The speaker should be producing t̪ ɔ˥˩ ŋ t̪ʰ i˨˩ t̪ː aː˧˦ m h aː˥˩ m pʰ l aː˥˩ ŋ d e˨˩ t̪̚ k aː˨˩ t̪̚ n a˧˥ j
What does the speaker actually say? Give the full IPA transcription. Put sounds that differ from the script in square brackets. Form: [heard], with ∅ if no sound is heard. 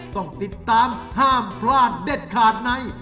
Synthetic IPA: t̪ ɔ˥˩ ŋ [t̪] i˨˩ t̪ː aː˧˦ m h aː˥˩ m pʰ l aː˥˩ [n] d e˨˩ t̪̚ [kʰ] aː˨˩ t̪̚ n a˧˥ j

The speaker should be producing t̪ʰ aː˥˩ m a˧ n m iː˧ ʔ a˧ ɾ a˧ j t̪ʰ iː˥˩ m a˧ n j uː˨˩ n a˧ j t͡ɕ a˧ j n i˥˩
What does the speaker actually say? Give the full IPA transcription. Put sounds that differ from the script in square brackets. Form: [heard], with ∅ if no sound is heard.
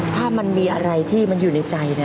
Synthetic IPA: t̪ʰ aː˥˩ m a˧ n m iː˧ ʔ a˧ ɾ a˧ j t̪ʰ iː˥˩ m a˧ n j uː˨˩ n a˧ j t͡ɕ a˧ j n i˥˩

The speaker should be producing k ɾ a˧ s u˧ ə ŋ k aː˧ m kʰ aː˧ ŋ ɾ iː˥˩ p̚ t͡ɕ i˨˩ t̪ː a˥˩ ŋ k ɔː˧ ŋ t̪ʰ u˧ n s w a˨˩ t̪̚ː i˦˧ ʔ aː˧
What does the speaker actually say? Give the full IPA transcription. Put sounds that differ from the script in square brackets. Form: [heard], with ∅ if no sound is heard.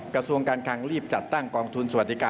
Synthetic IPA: k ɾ a˧ s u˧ ə ŋ k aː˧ [n] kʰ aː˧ ŋ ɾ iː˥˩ p̚ t͡ɕ [a˨˩] t̪ː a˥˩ ŋ k ɔː˧ ŋ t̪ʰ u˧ n s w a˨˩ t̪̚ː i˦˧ [k] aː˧

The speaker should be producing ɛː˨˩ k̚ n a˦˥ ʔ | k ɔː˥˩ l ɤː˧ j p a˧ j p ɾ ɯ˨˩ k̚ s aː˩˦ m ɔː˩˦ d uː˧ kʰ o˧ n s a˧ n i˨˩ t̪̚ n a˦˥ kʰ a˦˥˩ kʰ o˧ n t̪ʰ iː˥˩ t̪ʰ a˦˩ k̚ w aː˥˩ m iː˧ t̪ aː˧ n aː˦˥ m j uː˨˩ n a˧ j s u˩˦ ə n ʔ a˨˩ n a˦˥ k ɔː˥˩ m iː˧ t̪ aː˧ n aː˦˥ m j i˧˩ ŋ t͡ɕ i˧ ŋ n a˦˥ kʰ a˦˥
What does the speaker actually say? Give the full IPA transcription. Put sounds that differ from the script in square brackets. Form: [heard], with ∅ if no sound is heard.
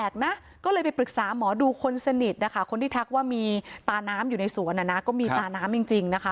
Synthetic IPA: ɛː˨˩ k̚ n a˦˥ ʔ | k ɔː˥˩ l ɤː˧ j p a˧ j p ɾ ɯ˨˩ k̚ s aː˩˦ m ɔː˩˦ d uː˧ kʰ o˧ n s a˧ n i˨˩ t̪̚ n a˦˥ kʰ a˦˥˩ kʰ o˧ n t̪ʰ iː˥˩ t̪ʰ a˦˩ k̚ w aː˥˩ m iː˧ t̪ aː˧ n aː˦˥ m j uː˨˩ n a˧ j s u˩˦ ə n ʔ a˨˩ n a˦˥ k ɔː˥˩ m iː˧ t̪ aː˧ n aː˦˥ m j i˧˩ ŋ t͡ɕ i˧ ŋ n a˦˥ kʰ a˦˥

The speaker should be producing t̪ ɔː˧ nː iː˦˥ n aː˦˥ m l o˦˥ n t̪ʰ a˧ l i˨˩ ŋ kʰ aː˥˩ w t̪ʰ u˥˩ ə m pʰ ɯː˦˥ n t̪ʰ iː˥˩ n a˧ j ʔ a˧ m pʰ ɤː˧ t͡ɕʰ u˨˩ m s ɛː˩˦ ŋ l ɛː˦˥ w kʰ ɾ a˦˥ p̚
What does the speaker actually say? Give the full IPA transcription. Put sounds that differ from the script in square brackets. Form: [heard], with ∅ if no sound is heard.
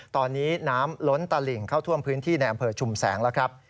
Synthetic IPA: t̪ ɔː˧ nː iː˦˥ n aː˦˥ m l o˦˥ n [t̪] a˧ l i˨˩ ŋ kʰ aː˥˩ w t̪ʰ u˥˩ ə m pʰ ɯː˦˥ n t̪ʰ iː˥˩ n a˧ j ʔ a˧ m pʰ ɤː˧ t͡ɕʰ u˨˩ m s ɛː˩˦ ŋ l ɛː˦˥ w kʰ ɾ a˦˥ p̚

